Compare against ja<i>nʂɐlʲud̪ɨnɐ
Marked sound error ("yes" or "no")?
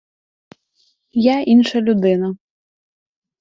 no